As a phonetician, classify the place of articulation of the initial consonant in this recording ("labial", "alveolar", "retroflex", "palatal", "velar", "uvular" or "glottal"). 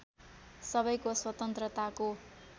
alveolar